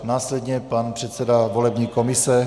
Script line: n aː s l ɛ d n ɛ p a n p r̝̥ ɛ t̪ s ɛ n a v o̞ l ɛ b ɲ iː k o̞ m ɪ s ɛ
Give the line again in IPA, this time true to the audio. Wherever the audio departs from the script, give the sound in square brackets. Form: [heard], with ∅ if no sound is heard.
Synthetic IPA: n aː s l ɛ d [ɲ] ɛ p a n p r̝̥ ɛ t̪ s ɛ [d] a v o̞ l ɛ b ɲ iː k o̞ m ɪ s ɛ